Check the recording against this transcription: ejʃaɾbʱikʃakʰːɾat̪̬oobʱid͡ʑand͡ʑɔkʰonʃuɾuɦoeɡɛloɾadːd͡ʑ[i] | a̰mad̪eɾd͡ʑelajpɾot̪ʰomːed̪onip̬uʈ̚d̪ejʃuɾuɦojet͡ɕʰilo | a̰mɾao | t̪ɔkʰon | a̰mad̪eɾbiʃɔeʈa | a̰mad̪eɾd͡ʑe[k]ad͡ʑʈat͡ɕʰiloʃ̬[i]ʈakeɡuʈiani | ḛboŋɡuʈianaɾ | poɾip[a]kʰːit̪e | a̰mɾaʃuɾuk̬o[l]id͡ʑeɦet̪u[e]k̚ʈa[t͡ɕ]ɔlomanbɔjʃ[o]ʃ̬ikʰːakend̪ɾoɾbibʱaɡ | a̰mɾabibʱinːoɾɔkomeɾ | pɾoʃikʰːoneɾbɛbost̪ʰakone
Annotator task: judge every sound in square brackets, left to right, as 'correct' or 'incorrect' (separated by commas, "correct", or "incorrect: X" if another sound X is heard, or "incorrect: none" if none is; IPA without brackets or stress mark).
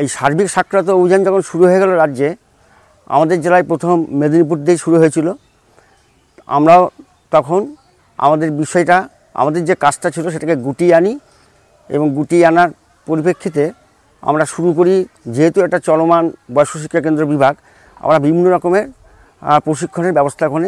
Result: incorrect: e, correct, incorrect: e, incorrect: e, incorrect: ɾ, incorrect: ɛ, correct, correct